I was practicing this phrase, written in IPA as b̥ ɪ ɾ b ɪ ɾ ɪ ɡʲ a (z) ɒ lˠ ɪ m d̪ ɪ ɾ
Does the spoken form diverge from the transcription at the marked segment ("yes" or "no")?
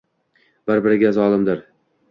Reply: no